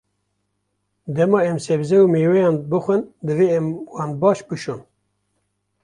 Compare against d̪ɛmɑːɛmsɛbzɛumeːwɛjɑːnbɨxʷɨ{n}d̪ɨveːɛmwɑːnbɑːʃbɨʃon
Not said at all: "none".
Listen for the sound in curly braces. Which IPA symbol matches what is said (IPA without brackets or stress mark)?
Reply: n